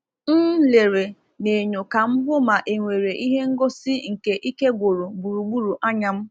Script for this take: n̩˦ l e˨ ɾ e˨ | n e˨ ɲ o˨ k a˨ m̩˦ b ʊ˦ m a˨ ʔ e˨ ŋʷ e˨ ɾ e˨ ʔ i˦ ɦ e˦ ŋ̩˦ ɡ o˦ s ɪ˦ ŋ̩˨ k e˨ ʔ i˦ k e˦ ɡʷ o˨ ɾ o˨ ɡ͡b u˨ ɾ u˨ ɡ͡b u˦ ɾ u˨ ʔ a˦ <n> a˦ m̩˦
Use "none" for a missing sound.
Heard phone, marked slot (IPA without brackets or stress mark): ɲ